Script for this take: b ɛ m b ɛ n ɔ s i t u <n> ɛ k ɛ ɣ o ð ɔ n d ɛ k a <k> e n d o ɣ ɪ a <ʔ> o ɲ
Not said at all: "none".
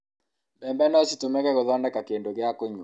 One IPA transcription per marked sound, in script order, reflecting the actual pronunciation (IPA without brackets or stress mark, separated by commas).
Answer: m, k, k